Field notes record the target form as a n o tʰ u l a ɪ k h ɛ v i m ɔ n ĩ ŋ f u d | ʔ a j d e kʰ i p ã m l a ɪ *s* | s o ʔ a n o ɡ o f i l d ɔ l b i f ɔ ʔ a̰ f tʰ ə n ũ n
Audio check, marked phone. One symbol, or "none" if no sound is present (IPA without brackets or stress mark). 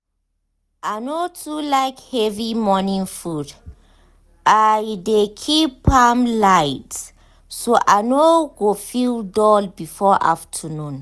t